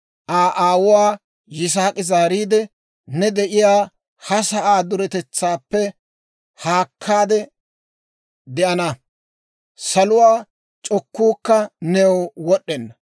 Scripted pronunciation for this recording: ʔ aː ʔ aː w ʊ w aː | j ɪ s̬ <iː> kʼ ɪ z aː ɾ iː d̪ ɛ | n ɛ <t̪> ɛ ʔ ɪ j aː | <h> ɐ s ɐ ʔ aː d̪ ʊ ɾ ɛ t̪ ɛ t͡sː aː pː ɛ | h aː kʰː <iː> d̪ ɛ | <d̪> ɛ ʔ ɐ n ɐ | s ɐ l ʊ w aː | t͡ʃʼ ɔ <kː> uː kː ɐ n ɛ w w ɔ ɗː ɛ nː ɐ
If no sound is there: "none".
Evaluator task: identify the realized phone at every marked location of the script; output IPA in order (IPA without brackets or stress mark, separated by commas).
aː, d̪, h, aː, d̪, kː